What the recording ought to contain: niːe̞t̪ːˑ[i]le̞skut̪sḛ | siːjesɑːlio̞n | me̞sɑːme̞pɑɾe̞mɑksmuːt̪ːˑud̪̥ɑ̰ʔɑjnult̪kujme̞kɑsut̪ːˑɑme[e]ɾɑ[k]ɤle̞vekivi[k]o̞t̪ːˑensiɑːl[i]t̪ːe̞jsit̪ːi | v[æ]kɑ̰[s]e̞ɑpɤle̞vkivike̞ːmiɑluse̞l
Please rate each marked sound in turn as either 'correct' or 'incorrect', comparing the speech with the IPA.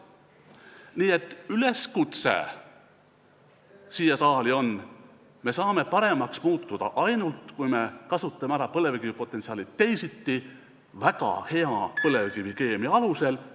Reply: incorrect: y, incorrect: æ, incorrect: p, incorrect: p, correct, correct, incorrect: h

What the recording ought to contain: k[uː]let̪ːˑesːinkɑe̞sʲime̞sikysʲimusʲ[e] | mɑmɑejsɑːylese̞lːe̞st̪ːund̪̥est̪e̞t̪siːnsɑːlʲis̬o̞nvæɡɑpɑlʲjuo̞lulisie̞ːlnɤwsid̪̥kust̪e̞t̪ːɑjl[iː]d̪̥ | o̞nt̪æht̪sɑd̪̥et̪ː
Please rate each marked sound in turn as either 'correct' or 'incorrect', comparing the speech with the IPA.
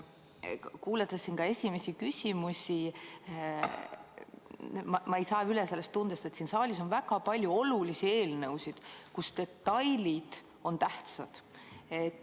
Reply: correct, incorrect: i, incorrect: i

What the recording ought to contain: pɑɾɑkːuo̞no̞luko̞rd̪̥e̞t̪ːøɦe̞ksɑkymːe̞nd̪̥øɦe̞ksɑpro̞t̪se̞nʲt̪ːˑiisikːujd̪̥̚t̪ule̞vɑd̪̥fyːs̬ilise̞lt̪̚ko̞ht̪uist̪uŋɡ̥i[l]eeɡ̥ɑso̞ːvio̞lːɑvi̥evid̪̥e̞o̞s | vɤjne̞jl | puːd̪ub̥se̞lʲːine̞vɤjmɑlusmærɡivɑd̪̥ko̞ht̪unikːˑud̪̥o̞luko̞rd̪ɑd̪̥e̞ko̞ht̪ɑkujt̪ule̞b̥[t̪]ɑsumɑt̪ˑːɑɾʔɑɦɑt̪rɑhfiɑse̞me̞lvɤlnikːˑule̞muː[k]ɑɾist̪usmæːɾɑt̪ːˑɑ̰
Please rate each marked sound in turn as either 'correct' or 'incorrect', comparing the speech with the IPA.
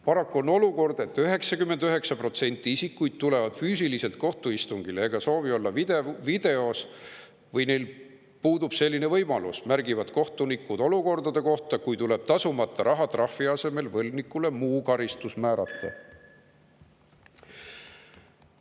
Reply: correct, correct, correct

